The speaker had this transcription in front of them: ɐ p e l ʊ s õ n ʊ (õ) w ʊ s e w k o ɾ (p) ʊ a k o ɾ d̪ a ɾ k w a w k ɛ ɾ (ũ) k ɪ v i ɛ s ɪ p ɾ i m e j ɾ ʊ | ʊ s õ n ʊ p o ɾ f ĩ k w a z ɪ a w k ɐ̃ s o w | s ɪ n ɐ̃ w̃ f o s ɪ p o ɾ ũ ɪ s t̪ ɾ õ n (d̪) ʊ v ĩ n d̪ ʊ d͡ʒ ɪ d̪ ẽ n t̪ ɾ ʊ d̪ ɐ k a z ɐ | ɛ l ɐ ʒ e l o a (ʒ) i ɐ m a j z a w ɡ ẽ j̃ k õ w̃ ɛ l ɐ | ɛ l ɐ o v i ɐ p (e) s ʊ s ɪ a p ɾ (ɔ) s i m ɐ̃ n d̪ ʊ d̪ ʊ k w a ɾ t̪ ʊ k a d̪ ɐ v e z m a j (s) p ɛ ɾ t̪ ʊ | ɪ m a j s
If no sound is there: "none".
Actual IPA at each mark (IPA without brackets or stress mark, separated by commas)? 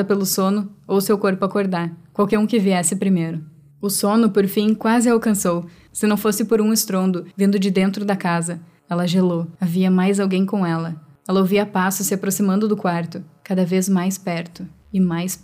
o, p, ũ, d̪, v, a, o, s